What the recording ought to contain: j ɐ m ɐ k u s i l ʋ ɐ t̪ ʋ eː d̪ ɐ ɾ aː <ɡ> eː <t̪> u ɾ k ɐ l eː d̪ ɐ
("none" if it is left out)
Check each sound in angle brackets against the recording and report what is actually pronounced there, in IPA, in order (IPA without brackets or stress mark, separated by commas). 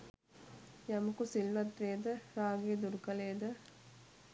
ɡ, d̪